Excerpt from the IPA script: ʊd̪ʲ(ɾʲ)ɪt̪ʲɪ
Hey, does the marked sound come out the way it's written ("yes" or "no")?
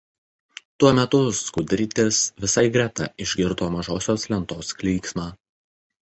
yes